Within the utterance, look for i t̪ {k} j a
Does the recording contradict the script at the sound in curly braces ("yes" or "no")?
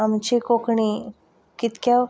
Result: no